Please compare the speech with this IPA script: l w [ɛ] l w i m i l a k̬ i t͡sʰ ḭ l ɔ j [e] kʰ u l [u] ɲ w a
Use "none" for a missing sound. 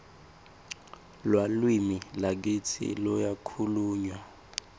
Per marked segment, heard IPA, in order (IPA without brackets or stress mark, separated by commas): a, a, uː